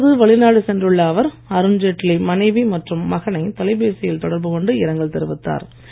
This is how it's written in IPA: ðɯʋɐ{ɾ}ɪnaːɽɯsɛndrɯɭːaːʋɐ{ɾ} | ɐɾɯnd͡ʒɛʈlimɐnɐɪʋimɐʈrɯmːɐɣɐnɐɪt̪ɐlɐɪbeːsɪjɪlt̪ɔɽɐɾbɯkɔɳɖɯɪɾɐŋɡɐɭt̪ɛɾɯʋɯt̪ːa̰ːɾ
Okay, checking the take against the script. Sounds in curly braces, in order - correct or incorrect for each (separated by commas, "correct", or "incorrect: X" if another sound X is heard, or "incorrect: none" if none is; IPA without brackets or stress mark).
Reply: incorrect: ɭ, correct